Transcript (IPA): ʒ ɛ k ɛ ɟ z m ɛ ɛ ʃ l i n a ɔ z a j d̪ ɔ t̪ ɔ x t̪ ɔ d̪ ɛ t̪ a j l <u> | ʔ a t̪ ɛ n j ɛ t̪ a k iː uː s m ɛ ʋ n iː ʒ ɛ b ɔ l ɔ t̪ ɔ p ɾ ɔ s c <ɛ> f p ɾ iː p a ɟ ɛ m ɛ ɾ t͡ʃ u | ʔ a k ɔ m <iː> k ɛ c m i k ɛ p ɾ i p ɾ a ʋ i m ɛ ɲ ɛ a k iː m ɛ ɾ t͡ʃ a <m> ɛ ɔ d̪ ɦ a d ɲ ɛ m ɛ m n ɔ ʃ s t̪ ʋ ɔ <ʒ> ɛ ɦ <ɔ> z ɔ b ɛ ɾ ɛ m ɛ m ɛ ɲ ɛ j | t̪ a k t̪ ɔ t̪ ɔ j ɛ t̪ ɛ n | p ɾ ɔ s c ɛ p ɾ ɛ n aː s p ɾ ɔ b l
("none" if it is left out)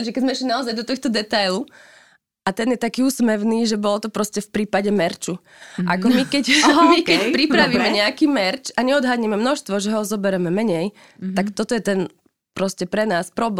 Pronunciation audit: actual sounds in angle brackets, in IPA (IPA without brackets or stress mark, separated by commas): u, ɛ, i, ɲ, ʒ, ɔ